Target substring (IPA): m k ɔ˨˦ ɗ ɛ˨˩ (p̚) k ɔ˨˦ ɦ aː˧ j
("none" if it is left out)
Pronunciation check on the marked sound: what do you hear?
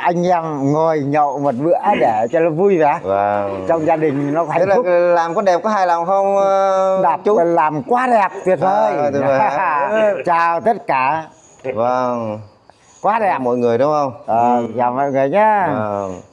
p̚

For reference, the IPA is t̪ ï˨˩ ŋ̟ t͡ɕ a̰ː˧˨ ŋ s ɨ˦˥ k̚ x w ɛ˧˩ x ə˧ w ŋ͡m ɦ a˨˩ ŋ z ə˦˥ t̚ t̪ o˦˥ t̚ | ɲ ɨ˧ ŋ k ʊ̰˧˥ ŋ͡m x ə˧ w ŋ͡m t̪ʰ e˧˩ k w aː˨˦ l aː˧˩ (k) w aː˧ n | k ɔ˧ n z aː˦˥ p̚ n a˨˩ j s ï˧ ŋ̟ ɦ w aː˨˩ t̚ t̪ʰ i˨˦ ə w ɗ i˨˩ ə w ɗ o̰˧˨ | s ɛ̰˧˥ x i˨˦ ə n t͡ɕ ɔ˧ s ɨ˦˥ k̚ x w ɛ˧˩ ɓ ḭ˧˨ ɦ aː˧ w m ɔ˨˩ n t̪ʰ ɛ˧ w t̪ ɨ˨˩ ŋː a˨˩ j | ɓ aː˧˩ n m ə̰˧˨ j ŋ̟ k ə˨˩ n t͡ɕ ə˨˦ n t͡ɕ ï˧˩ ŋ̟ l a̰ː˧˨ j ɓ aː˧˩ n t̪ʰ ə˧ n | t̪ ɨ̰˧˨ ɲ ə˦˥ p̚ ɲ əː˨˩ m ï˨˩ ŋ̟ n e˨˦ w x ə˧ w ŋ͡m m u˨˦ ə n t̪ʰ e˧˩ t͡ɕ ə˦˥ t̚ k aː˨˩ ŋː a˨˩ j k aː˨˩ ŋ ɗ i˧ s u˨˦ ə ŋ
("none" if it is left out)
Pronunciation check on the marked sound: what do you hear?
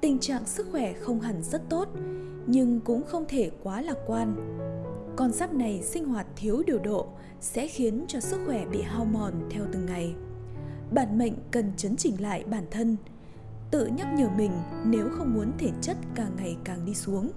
k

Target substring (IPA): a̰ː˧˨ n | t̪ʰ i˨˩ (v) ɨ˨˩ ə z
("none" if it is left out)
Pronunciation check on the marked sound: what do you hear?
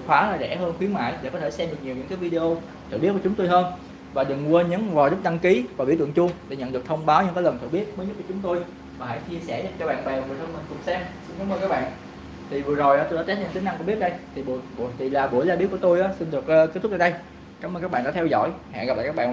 v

